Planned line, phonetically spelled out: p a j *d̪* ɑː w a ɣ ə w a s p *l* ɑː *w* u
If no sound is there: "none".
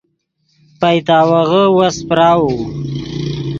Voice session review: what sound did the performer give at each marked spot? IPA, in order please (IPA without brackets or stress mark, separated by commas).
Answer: t̪, ɾ, w